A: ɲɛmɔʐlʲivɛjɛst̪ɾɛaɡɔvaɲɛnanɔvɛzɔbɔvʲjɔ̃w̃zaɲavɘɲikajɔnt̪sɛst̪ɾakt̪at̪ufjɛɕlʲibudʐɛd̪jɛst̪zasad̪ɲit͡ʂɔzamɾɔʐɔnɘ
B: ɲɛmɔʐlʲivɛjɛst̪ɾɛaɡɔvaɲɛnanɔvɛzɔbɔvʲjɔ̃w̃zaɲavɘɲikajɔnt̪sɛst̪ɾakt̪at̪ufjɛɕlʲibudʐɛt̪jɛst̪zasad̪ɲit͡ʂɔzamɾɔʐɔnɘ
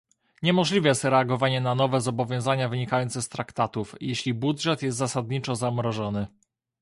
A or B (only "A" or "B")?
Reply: B